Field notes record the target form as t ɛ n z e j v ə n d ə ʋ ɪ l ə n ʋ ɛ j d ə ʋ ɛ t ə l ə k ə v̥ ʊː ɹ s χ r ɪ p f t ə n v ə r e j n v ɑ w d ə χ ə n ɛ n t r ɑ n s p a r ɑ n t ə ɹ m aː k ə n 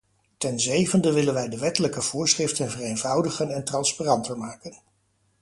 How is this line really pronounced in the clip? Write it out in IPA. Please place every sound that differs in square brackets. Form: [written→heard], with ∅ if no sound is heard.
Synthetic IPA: t ɛ n z e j v ə n d ə ʋ ɪ l ə n ʋ ɛ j d ə ʋ ɛ t ə l ə k ə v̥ ʊː ɹ s χ r ɪ [p→∅] f t ə n v ə r e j n v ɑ w d ə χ ə n ɛ n t r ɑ n s p a r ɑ n t ə ɹ m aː k ə n